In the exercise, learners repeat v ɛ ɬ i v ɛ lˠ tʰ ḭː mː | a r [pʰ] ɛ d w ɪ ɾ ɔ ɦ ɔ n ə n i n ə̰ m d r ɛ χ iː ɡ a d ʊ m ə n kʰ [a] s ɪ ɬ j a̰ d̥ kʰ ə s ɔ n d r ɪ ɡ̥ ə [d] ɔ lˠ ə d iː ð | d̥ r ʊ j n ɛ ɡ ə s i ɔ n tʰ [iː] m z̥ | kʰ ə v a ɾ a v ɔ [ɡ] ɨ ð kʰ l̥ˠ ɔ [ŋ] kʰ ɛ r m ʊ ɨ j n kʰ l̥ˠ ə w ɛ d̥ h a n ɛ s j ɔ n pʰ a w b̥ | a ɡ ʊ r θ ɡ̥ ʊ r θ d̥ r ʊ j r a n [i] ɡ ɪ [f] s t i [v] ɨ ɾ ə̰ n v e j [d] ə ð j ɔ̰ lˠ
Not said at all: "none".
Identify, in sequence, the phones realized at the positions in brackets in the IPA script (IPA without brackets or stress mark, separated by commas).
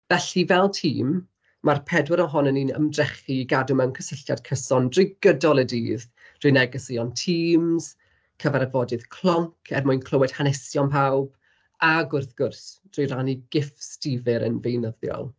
pʰ, ə, d, iː, d, ŋ, i, f, v, n